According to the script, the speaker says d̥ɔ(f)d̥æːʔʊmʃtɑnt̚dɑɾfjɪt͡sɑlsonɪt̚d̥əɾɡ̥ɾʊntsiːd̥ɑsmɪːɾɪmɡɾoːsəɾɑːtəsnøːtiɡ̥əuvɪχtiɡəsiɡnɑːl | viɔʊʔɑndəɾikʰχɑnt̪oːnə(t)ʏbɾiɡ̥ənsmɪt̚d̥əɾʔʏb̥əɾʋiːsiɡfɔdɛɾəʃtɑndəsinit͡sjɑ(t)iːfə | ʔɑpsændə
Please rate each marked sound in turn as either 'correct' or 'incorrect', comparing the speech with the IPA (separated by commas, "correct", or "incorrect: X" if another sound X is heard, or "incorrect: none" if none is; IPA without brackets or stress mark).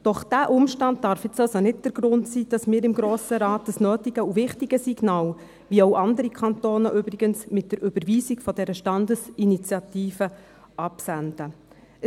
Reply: incorrect: χ, incorrect: ʔ, correct